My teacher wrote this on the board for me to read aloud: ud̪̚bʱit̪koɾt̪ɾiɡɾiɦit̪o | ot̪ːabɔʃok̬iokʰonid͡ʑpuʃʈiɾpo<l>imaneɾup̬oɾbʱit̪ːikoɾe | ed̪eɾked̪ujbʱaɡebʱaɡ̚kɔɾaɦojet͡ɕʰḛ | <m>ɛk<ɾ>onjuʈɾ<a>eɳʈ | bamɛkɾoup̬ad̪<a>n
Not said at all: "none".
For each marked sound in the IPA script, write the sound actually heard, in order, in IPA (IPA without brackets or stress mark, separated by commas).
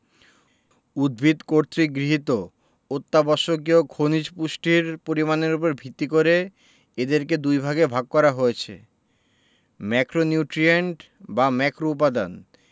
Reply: ɾ, m, ɾ, i, a